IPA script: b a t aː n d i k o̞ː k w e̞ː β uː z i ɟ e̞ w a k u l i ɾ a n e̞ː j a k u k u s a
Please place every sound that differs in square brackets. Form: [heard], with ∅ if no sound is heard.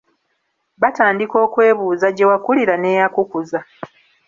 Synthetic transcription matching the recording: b a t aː n d i k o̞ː k w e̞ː β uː z [a] ɟ e̞ w a k u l i ɾ a n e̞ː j a k u k u [z] a